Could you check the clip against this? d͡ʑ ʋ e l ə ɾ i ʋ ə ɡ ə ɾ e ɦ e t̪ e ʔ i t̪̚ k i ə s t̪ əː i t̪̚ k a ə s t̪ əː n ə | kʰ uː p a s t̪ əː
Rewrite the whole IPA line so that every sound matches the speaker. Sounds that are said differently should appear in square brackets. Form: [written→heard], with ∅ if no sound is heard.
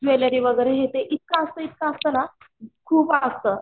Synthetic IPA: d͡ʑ ʋ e l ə ɾ i ʋ ə ɡ ə ɾ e ɦ e t̪ e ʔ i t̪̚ k [i→a] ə s t̪ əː i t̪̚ k a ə s t̪ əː n [ə→a] | kʰ uː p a s t̪ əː